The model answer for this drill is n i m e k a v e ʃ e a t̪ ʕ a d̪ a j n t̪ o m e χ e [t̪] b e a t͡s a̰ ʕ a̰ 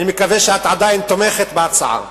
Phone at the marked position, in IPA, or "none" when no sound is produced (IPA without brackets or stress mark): t̪